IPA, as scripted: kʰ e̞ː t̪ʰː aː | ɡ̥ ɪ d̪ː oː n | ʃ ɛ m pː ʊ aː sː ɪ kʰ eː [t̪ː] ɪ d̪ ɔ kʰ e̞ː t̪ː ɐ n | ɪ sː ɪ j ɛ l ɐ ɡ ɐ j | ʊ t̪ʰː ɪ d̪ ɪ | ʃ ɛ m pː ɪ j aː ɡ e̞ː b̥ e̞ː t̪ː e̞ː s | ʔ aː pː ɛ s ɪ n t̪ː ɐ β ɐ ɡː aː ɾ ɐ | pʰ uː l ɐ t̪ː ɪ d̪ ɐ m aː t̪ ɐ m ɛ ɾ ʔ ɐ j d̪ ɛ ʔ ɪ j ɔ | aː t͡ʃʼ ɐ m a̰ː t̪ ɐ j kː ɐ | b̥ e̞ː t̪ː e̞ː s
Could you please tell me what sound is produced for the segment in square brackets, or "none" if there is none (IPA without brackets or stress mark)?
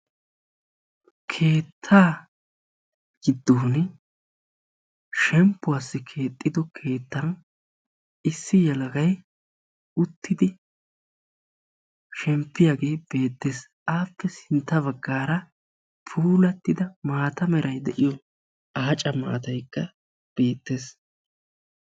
t̪ʼː